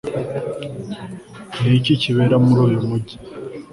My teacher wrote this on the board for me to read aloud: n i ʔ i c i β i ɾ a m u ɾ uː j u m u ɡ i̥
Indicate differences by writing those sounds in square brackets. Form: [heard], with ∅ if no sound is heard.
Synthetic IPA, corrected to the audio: n i [c] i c i β [e] ɾ a m u ɾ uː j u m u [ɟ] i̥